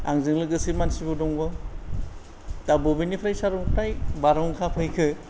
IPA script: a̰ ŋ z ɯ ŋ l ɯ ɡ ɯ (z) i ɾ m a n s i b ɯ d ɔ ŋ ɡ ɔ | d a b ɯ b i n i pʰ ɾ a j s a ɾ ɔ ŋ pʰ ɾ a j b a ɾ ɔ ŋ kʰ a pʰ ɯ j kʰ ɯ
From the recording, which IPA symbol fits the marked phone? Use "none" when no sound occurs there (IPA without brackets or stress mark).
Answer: s